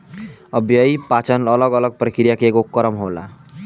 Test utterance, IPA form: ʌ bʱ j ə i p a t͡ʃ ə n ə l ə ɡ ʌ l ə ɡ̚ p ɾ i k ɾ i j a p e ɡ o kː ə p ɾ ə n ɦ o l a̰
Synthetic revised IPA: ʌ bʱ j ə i p a t͡ʃ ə n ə l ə ɡ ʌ l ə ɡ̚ p ɾ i k ɾ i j a k e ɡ o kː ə ɾ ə m ɦ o l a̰